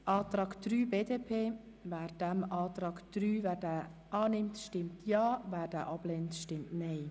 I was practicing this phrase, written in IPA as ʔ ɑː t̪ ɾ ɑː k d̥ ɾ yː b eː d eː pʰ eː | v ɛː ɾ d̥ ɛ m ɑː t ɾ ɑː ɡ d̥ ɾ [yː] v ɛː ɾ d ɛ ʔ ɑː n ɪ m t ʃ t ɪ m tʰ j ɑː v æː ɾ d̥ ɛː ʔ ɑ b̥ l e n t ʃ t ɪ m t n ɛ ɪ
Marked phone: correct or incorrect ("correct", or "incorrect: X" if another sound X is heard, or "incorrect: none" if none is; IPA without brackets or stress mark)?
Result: correct